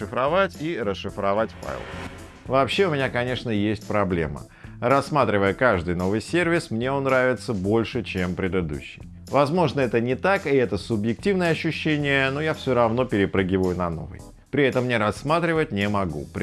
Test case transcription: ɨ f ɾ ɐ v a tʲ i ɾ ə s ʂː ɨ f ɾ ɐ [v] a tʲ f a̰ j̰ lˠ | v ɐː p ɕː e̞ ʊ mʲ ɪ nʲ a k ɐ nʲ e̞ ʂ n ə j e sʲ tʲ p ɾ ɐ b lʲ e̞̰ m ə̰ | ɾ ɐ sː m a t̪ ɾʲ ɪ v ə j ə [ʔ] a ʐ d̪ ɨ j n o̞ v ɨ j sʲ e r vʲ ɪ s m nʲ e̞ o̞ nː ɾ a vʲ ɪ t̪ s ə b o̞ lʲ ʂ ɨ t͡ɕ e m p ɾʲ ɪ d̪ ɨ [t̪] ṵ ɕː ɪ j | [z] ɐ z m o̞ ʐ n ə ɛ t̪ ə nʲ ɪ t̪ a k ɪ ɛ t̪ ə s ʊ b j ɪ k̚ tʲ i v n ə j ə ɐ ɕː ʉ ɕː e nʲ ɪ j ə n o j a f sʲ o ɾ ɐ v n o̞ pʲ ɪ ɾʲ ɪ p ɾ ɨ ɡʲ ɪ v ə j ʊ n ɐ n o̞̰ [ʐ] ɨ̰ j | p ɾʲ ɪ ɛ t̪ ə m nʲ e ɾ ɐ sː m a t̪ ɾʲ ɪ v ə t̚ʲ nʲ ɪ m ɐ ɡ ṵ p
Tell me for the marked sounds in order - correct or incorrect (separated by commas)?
correct, incorrect, incorrect, incorrect, incorrect